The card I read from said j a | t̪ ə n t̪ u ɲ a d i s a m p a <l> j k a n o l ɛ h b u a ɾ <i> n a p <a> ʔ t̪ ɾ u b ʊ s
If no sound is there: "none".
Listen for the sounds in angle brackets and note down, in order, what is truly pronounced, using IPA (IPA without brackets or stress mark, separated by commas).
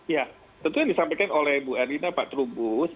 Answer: none, i, a